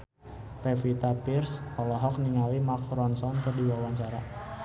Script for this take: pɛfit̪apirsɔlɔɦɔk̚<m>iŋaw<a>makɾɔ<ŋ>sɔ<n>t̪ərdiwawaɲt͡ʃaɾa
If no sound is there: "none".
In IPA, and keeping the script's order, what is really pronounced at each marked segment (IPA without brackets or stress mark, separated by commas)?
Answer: n, i, n, n